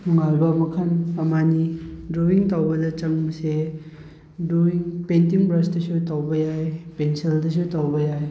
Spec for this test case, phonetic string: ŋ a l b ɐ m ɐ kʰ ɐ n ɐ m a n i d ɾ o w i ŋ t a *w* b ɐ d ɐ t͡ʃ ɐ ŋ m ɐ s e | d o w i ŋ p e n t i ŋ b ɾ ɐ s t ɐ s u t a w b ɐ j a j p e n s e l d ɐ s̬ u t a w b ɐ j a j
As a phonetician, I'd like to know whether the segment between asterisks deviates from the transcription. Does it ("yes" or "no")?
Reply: no